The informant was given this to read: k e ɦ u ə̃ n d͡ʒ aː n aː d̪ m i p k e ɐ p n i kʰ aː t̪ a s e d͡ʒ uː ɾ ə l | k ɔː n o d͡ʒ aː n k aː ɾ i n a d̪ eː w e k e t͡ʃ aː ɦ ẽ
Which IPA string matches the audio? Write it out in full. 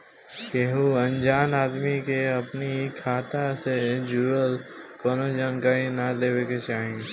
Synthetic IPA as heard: k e ɦ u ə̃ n d͡ʒ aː n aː d̪ m i k e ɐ p n i kʰ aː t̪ a s e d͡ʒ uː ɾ ə l | k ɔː n o d͡ʒ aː n k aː ɾ i n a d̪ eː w e k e t͡ʃ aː ɦ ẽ